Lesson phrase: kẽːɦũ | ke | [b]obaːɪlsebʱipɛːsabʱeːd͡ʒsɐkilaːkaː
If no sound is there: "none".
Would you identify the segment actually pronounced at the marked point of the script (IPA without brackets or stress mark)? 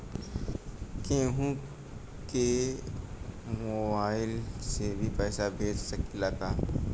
m